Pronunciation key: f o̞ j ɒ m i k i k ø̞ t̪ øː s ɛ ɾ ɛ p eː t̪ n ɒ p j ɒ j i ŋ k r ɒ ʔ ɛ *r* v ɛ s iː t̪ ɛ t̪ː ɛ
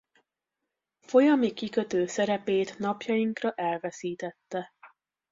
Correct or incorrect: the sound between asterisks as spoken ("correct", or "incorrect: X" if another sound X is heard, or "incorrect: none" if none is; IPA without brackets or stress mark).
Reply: incorrect: l